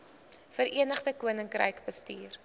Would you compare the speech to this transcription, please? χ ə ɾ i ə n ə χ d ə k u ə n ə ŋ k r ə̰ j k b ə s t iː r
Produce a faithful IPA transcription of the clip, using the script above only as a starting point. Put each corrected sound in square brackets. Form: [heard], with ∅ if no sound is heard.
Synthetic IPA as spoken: [f] ə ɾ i ə n ə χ d ə k u ə n ə ŋ k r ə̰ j k b ə s t iː r